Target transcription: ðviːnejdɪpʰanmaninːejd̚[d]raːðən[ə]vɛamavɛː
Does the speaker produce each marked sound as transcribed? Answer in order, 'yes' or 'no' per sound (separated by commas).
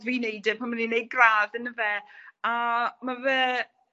no, yes